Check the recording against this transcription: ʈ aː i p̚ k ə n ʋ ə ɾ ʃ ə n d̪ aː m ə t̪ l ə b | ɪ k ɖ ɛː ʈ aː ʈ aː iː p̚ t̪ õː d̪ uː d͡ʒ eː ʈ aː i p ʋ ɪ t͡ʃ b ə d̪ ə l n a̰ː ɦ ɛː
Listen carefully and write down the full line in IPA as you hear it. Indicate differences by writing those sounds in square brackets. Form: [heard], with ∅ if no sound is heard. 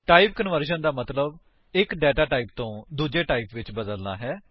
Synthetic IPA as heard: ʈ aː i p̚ k ə n ʋ ə ɾ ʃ ə n d̪ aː m ə t̪ l ə b | ɪ k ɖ ɛː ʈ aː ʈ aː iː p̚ t̪ õː d̪ uː d͡ʒ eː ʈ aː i p ʋ ɪ t͡ʃ b ə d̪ ə l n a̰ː ɦ ɛː